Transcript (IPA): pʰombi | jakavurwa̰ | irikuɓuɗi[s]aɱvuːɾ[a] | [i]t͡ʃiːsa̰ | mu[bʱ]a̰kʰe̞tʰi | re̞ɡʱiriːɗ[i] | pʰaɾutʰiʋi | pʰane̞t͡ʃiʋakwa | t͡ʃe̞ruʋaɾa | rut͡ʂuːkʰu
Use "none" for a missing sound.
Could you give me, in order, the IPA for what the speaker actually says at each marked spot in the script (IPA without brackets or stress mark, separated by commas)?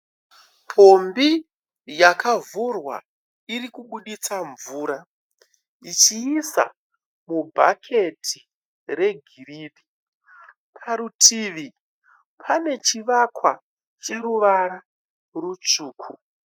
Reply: t͡s, a, i, bʱ, i